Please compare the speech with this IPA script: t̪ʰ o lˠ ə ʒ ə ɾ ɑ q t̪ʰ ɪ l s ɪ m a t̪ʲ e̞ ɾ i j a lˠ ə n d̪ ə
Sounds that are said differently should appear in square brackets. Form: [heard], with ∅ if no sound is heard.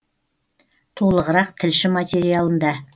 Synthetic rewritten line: t̪ʰ o lˠ ə [ʁ] ə ɾ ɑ q t̪ʰ ɪ l [ʃ] ɪ m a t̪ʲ e̞ ɾ i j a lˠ ə n d̪ [ɑ]